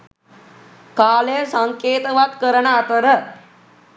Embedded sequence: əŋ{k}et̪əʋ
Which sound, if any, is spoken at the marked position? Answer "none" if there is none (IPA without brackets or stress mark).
k